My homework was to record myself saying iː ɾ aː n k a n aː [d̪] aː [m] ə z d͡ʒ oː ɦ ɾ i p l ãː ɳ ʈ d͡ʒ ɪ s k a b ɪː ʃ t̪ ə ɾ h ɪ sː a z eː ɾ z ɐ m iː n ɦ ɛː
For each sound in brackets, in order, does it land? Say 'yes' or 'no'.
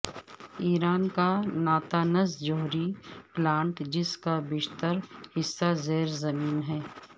no, no

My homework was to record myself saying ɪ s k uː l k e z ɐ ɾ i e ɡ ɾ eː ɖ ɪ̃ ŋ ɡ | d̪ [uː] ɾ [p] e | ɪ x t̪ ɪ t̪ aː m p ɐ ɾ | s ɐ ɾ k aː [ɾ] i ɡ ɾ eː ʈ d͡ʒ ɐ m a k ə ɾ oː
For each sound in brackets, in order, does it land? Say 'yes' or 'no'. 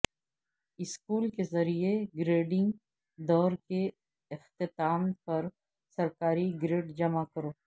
no, no, yes

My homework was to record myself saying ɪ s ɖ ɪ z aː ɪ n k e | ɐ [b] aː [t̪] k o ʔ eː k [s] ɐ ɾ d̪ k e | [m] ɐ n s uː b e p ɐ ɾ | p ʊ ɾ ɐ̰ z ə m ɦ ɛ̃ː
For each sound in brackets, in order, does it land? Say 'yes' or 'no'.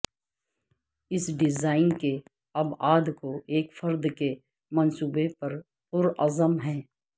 yes, no, no, yes

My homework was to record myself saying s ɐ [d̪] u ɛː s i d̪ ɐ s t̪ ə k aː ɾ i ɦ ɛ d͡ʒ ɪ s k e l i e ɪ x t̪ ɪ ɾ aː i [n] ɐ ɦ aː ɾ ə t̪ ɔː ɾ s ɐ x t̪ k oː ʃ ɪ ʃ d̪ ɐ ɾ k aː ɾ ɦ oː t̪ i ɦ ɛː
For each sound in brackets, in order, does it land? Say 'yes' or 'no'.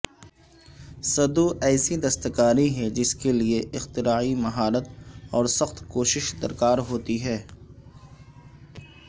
yes, no

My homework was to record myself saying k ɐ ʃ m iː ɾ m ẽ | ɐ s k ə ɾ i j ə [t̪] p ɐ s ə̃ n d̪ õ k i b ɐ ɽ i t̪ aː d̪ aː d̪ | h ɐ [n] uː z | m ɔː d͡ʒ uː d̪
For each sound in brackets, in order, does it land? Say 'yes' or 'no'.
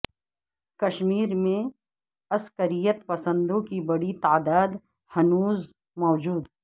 yes, yes

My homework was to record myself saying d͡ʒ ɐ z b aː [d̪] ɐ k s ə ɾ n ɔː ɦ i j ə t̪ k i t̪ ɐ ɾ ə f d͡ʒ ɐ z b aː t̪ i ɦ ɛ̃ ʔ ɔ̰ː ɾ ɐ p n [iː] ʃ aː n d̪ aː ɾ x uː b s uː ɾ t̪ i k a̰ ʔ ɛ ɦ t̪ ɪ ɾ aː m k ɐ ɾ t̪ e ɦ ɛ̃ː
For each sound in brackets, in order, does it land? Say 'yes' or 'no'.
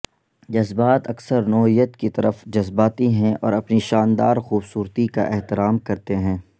no, no

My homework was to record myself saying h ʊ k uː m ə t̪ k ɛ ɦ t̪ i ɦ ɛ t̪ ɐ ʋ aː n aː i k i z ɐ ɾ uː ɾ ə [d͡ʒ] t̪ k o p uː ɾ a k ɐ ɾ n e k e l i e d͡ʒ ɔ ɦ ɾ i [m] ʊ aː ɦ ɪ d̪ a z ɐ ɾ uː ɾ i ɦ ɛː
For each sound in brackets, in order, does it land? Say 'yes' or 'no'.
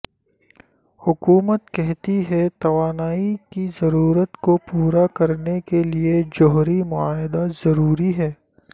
no, yes

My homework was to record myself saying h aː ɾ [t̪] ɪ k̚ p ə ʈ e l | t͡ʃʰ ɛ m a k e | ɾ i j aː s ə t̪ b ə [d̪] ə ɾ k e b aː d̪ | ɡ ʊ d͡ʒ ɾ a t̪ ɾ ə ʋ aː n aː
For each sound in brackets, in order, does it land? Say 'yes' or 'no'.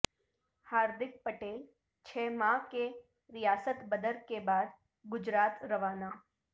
no, yes

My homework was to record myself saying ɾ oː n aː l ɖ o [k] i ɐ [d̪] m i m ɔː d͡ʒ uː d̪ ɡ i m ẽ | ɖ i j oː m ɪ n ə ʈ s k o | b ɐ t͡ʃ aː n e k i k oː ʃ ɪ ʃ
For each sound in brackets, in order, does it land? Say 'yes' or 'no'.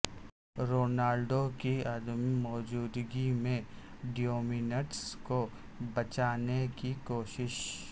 yes, yes

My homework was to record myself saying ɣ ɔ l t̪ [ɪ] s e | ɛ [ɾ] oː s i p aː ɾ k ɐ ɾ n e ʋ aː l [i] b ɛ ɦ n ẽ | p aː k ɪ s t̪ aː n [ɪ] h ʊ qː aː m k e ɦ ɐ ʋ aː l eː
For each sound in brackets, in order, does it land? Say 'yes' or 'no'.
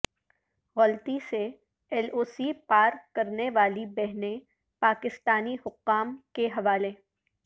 no, no, yes, no

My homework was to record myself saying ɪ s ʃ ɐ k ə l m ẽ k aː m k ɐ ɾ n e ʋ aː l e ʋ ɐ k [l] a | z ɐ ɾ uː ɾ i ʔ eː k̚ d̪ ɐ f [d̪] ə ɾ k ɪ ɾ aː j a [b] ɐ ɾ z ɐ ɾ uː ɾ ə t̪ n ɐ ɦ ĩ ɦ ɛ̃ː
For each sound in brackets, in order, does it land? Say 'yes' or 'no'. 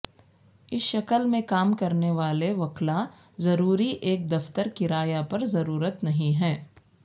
yes, no, no

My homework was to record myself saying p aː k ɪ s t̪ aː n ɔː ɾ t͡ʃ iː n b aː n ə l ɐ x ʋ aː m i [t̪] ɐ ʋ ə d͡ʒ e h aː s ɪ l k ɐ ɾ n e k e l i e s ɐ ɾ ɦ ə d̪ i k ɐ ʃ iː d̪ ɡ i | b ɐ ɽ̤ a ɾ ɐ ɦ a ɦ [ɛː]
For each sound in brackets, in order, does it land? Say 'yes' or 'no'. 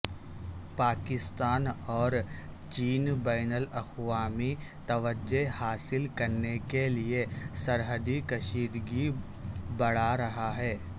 yes, yes

